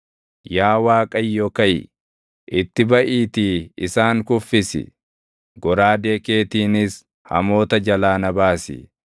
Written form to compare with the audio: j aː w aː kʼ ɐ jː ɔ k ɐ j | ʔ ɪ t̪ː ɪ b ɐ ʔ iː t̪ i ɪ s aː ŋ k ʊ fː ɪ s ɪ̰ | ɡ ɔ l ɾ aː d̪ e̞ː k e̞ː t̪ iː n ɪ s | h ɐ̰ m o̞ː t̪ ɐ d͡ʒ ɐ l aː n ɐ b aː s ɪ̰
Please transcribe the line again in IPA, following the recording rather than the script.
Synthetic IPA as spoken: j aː w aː kʼ ɐ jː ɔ k ɐ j | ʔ ɪ t̪ː ɪ b ɐ ʔ iː t̪ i ɪ s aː ŋ k ʊ fː ɪ s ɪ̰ | ɡ ɔ ɾ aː d̪ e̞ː k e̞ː t̪ iː n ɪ s | h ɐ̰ m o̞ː t̪ ɐ d͡ʒ ɐ l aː n ɐ b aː s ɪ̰